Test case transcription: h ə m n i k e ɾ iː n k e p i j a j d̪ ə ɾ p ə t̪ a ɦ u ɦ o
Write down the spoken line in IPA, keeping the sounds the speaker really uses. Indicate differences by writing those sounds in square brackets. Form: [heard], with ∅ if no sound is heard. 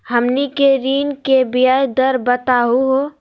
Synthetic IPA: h ə m n i k e ɾ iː n k e [b] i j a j d̪ ə ɾ [b] ə t̪ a ɦ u ɦ o